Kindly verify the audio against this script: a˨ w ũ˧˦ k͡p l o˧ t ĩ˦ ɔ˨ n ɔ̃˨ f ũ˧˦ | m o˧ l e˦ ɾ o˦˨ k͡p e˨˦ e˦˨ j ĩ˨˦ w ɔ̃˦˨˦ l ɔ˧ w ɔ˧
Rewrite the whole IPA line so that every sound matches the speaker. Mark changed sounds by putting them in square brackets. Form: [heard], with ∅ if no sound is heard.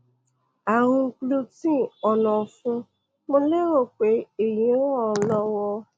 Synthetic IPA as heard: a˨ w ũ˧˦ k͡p l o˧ t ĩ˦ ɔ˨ n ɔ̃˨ f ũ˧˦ | m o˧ l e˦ ɾ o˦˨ k͡p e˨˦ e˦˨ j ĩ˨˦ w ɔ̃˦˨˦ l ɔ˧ w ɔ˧